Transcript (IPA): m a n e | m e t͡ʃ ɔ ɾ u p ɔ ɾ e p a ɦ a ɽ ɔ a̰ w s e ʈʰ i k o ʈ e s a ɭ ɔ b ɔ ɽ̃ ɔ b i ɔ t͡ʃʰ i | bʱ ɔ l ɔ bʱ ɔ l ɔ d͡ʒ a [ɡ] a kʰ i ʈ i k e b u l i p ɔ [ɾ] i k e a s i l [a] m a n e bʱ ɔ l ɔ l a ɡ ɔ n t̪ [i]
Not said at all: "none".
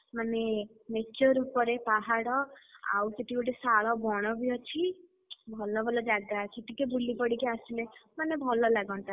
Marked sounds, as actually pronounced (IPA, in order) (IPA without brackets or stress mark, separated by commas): ɡ, ɽ, e, a